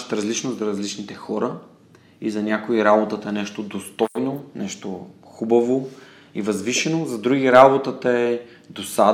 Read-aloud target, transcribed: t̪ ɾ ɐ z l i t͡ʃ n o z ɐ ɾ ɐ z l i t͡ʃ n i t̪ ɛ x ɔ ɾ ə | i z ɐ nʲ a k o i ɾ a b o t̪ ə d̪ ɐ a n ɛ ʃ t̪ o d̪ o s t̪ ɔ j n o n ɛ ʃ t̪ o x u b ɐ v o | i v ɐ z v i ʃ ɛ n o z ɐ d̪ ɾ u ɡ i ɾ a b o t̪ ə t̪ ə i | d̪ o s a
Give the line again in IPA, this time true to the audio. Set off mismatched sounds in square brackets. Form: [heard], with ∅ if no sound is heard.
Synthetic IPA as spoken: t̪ ɾ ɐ z l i t͡ʃ n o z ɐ ɾ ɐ z l i t͡ʃ n i t̪ ɛ x ɔ ɾ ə | i z ɐ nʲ a k o i ɾ a b o t̪ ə [t̪] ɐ [ɛ] n ɛ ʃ t̪ o d̪ o s t̪ ɔ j n o n ɛ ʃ t̪ o x u b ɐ v o | i v ɐ z v i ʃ ɛ n o z ɐ d̪ ɾ u ɡ i ɾ a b o t̪ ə t̪ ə [ɛ] | d̪ o s a